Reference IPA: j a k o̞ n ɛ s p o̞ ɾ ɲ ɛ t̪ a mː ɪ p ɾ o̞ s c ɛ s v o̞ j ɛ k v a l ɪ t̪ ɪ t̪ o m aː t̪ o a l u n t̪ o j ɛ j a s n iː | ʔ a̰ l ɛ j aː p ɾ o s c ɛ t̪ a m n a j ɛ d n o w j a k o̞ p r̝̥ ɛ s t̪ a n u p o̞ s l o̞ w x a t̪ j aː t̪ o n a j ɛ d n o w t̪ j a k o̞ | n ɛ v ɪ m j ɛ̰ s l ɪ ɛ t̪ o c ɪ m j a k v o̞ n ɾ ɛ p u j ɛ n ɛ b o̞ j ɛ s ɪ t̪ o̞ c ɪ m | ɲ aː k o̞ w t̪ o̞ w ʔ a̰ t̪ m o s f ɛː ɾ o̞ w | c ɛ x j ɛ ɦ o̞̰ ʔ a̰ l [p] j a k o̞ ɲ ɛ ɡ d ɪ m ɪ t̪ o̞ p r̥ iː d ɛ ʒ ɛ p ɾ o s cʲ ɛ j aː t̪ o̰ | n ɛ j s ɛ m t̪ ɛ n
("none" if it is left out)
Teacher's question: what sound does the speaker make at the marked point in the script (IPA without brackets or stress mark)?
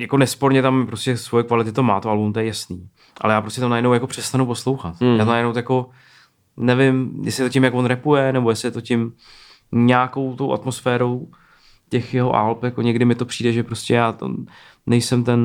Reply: p